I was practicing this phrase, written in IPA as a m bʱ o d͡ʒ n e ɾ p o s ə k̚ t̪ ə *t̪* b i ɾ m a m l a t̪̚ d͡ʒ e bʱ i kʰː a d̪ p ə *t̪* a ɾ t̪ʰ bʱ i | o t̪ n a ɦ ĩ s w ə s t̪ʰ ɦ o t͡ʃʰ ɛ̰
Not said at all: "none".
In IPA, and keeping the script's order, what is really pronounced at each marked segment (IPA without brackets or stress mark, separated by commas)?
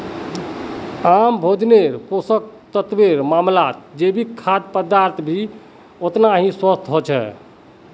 t̪, d̪